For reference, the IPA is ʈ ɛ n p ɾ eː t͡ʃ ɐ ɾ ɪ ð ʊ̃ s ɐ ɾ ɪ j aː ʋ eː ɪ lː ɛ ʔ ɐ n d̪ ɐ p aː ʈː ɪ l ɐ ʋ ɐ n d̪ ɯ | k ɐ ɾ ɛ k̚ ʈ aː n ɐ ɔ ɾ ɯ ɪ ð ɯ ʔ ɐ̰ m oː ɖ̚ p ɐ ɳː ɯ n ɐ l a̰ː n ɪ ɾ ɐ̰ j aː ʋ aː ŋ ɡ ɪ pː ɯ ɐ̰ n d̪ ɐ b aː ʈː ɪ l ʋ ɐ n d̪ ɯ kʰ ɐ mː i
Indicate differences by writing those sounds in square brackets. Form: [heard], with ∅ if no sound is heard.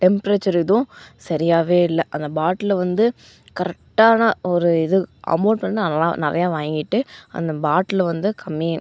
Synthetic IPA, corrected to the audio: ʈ ɛ [m] p ɾ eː t͡ʃ ɐ ɾ ɪ ð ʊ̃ s ɐ ɾ ɪ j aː ʋ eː ɪ lː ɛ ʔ ɐ n d̪ ɐ [b] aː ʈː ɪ l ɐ ʋ ɐ n d̪ ɯ | k ɐ ɾ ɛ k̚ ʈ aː n ɐ ɔ ɾ ɯ ɪ ð ɯ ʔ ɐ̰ m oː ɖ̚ p ɐ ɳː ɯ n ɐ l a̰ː n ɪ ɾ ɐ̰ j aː ʋ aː ŋ ɡ ɪ [ʈː] ɯ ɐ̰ n d̪ ɐ b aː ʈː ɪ l ʋ ɐ n d̪ ɯ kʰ ɐ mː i